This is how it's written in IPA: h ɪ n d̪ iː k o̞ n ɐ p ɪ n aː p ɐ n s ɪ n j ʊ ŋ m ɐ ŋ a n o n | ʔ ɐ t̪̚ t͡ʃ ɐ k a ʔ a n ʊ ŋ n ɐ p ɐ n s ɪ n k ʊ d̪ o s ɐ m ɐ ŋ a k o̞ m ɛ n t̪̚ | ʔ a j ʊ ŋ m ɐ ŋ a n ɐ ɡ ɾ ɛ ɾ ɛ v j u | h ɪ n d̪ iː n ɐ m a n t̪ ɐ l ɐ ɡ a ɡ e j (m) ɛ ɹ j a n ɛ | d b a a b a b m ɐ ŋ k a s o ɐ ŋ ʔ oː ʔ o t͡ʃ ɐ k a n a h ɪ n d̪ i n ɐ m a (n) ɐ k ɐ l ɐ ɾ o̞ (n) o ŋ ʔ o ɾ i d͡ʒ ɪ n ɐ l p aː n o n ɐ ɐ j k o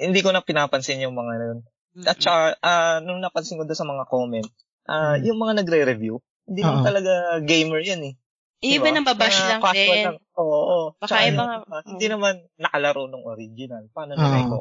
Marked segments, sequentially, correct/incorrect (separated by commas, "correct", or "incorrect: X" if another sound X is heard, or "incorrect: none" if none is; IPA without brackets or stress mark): correct, incorrect: nː, correct